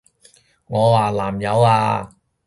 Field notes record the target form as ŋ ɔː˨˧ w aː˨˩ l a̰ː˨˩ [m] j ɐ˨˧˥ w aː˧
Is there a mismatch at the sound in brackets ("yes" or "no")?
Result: no